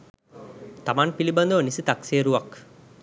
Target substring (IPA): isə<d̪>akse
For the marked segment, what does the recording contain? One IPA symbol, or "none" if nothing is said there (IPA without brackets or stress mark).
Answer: t̪